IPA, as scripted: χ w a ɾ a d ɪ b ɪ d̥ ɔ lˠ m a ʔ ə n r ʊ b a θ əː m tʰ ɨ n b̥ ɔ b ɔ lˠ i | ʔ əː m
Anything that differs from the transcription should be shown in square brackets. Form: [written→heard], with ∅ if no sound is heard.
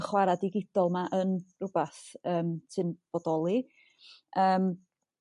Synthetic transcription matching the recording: χ w a ɾ a d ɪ [b→ɡ] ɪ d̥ ɔ lˠ m a ʔ ə n r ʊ b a θ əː m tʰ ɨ n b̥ ɔ [b→d] ɔ lˠ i | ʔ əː m

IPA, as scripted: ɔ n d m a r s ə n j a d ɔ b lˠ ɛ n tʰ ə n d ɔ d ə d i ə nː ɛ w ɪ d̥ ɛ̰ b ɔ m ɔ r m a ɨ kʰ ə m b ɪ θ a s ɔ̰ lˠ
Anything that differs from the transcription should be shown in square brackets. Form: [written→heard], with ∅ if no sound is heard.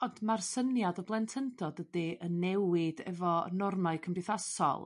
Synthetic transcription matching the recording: ɔ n d m a r s ə n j a d ɔ b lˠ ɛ n tʰ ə n d ɔ d ə d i ə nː ɛ w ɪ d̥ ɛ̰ [b→v] ɔ [m→n] ɔ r m a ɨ kʰ ə m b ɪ θ a s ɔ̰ lˠ

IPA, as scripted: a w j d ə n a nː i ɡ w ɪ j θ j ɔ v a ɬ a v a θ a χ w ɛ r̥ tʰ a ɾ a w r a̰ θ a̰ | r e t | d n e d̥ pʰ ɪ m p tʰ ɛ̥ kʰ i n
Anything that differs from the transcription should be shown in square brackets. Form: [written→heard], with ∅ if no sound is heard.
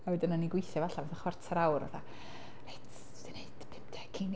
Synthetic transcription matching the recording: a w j d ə n a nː i ɡ w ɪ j θ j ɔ v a ɬ a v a θ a χ w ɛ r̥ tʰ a ɾ a w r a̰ θ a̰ | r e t | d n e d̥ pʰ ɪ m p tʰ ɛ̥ kʰ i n

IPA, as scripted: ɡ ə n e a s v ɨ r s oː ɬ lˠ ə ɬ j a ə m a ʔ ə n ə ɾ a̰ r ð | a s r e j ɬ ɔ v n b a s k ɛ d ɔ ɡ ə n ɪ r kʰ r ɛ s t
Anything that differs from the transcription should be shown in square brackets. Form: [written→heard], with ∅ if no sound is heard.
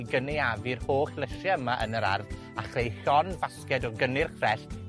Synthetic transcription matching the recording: ɡ ə n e a [s→∅] v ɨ r [s→h] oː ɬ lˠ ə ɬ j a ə m a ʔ ə n ə ɾ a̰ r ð | a [s→χ] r e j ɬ ɔ [v→∅] n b a s k ɛ d ɔ ɡ ə n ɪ r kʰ r ɛ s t

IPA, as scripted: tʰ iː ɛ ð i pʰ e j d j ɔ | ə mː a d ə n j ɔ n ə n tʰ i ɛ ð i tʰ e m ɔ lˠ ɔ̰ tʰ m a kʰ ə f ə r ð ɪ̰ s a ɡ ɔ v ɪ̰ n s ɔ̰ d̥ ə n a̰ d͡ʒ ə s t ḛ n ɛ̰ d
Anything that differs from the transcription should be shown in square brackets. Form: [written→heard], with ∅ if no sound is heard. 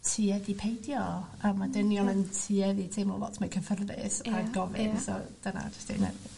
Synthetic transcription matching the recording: tʰ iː ɛ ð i pʰ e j d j ɔ | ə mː a d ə n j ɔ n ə n tʰ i ɛ ð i tʰ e m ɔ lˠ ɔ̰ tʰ m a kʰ ə f ə r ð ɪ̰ s a ɡ ɔ v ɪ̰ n s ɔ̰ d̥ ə n a̰ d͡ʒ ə s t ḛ n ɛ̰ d

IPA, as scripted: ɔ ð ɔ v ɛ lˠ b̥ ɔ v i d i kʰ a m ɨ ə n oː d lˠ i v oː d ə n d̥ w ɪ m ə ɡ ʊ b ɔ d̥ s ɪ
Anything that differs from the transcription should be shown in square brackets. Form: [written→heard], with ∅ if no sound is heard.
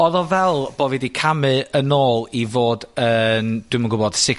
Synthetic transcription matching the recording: ɔ ð ɔ v ɛ lˠ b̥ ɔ v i d i kʰ a m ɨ ə n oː [d→∅] lˠ i v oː d ə n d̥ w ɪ m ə ɡ ʊ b ɔ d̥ s ɪ

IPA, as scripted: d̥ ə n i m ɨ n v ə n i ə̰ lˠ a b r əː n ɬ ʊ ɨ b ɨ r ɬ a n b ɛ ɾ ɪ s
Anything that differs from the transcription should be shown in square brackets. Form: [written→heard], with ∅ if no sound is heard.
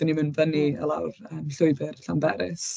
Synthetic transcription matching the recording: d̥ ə n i m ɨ n v ə n i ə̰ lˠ a [b→w] r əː [n→m] ɬ ʊ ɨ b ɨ r ɬ a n b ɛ ɾ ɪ s

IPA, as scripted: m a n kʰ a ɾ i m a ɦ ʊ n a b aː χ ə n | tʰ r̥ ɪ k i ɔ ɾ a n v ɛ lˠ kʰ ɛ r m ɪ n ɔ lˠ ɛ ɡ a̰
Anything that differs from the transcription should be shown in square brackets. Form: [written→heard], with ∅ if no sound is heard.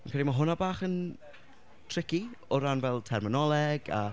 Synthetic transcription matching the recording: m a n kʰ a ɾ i m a ɦ ʊ n a b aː χ ə n | tʰ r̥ ɪ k i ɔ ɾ a n v ɛ lˠ [kʰ→tʰ] ɛ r m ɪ n ɔ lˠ ɛ ɡ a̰

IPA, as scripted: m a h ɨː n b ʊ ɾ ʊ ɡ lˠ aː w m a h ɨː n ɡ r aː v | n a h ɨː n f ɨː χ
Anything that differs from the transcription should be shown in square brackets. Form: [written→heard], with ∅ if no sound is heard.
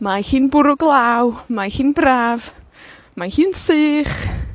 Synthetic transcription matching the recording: m a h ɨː n b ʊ ɾ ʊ ɡ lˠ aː w m a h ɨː n [ɡ→b] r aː v | [n→m] a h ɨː n [f→s] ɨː χ

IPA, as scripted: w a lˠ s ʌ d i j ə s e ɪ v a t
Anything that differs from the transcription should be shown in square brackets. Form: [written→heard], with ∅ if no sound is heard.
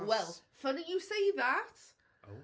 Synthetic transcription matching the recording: w [a→ɛ] lˠ [s→f] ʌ [d→n] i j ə s e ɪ [v→ð] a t

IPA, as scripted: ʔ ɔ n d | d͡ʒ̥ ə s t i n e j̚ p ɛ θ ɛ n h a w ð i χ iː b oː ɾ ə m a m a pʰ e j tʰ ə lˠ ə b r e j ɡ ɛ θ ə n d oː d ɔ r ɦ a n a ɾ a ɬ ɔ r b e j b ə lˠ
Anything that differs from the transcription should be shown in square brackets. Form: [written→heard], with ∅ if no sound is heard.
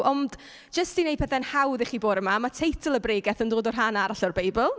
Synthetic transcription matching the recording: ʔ ɔ n d | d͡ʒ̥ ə s t i n e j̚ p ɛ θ ɛ n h a w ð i χ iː b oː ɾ ə m a m a [pʰ→tʰ] e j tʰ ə lˠ ə b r e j ɡ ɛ θ ə n d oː d ɔ r ɦ a n a ɾ a ɬ ɔ r b e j b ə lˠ

